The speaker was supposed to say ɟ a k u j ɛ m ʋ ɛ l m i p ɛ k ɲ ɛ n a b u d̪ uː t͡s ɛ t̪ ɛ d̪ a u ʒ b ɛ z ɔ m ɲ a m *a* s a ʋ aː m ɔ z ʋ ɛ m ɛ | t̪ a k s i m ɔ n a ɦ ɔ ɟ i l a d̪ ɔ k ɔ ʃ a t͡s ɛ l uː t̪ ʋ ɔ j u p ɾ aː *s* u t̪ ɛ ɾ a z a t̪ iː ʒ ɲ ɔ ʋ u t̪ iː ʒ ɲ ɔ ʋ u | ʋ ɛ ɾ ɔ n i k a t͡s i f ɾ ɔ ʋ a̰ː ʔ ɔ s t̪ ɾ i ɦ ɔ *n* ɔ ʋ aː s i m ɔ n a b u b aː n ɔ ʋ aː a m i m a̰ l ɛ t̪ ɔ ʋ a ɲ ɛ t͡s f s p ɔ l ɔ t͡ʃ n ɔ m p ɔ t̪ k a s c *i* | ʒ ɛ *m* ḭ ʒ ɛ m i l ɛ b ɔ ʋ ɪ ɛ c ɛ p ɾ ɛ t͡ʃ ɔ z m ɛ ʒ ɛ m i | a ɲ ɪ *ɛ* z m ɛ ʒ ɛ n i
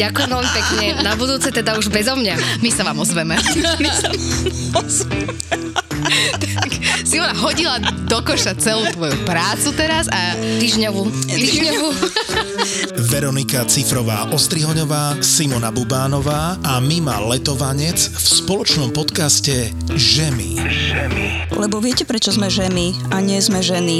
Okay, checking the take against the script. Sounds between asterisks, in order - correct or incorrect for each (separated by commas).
incorrect, incorrect, incorrect, incorrect, correct, correct